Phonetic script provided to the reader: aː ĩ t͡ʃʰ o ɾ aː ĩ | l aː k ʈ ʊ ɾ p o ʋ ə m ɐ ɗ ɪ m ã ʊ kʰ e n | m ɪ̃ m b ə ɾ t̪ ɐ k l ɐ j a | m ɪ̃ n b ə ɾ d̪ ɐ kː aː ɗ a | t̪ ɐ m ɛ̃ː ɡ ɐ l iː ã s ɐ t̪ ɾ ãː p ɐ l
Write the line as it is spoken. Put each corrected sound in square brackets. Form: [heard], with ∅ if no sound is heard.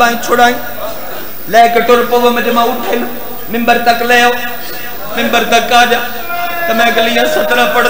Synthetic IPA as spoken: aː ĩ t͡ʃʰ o [ɽ] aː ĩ | l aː k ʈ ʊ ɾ p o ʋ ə m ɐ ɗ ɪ m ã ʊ [ʈʰ] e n | m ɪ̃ m b ə ɾ t̪ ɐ k l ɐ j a | m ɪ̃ [m] b ə ɾ [t̪] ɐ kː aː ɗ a | t̪ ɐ m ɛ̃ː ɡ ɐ l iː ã s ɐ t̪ ɾ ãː p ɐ [ɽ]